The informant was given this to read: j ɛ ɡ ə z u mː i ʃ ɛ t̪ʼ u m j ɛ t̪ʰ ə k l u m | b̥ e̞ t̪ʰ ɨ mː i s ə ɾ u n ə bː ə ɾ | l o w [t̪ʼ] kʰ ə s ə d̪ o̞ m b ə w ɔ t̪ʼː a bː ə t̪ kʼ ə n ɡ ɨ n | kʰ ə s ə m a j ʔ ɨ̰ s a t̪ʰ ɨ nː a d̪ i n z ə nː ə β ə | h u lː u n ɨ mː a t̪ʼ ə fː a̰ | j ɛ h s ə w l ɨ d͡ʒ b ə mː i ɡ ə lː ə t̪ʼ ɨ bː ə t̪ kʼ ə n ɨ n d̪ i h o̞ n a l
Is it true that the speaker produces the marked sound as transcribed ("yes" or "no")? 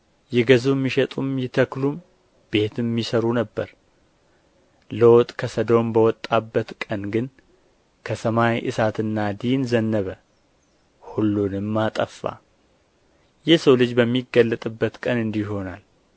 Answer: yes